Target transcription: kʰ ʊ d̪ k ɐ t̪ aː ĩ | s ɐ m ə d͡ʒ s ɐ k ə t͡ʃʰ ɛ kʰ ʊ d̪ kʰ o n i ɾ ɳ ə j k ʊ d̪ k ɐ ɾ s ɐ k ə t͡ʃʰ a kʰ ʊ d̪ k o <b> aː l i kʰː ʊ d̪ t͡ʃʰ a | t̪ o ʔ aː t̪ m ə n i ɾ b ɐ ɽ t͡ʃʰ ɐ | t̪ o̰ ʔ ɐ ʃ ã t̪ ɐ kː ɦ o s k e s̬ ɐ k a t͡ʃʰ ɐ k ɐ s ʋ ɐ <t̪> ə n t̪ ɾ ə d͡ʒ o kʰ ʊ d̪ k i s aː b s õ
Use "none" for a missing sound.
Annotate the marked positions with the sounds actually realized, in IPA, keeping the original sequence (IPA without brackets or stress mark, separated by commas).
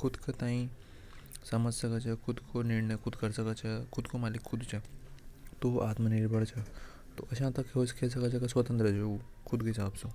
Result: m, t̪